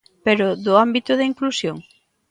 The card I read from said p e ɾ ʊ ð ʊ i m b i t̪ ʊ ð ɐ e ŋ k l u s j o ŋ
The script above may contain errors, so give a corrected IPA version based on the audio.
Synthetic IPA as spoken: p e ɾ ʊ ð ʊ a m b i t̪ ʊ ð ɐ i ŋ k l u s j o ŋ

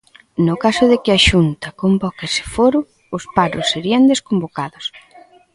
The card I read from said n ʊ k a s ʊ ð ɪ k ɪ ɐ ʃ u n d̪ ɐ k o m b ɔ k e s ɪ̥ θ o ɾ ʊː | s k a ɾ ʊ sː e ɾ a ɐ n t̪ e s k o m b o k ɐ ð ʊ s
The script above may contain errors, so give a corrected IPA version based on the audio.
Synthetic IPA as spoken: n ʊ k a s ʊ ð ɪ k ɪ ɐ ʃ u n t̪ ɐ k o m b ɔ k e s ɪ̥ f o ɾ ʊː | s p a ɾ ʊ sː e ɾ i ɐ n d̪ e s k o m b o k a ð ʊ s

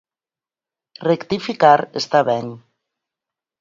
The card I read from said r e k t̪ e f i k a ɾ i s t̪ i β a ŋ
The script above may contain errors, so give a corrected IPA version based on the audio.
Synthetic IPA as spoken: r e k t̪ i f i k a ɾ e s t̪ a β ɛ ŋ

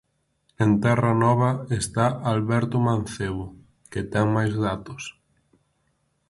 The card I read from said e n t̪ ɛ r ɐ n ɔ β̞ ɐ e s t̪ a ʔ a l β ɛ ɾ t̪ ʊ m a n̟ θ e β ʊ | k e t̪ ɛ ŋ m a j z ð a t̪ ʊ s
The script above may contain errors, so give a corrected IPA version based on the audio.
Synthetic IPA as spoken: e n t̪ ɛ r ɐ n ɔ β̞ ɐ e s t̪ a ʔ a l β ɛ ɾ t̪ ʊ m a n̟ θ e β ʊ | k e t̪ ɛ ŋ m a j z ð a t̪ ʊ s

